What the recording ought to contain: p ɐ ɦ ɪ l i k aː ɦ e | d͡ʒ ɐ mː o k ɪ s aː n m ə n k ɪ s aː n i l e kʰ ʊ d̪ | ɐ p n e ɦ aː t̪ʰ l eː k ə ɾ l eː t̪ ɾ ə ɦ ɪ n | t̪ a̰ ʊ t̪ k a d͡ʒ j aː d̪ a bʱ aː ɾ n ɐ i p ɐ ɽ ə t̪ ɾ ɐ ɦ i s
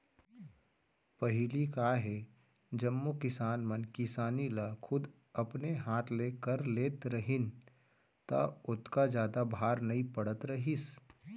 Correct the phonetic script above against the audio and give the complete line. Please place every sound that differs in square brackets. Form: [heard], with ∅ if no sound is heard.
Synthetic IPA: p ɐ ɦ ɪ l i k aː ɦ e | d͡ʒ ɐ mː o k ɪ s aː n m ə n k ɪ s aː n i l [a] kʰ ʊ d̪ | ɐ p n e ɦ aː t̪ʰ l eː k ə ɾ l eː t̪ ɾ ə ɦ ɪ n | t̪ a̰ ʊ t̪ k a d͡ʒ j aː d̪ a bʱ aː ɾ n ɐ i p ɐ ɽ ə t̪ ɾ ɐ ɦ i s